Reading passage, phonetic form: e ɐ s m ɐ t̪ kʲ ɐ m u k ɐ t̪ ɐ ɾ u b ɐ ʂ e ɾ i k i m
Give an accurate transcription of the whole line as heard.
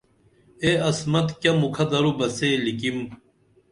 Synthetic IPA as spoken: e ɐ s m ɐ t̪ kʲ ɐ m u kʰ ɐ d̪ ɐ ɾ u b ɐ s e l i k i m